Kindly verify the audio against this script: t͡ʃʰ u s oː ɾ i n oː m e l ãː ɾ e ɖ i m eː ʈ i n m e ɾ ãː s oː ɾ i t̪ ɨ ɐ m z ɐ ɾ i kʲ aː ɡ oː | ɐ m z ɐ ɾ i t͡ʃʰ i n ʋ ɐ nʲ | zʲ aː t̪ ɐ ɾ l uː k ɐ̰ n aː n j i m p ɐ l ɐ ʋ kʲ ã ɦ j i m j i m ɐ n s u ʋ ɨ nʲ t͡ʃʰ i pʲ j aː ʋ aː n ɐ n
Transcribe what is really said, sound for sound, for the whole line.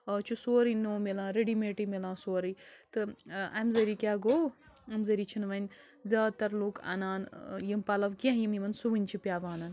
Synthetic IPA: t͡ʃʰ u s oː ɾ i n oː m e l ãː ɾ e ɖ i m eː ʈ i m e l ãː s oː ɾ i t̪ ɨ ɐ m z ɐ ɾ i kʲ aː ɡ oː | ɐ m z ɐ ɾ i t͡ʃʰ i n ʋ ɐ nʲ | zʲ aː t̪ ɐ ɾ l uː k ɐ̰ n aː n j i m p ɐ l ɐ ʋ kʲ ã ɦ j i m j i m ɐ n s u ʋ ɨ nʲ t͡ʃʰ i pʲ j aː ʋ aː n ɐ n